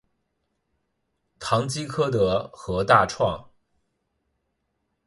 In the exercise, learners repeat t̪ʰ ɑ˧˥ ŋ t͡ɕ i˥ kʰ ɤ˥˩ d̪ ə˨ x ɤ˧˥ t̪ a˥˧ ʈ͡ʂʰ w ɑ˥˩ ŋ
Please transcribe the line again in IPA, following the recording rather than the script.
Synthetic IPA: t̪ʰ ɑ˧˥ ŋ t͡ɕ i˥ kʰ ɤ˥ d̪ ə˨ x ɤ˧˥ t̪ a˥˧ ʈ͡ʂʰ w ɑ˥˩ ŋ